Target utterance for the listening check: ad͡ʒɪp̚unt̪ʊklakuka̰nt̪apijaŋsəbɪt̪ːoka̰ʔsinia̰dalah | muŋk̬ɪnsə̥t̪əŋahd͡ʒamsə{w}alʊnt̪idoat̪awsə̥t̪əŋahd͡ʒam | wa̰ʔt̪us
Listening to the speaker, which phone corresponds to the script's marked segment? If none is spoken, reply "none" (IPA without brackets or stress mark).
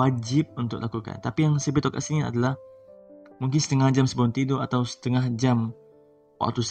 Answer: b